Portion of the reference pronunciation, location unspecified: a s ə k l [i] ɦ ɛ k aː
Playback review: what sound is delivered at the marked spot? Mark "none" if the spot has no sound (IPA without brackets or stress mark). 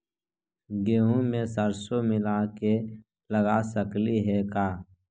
i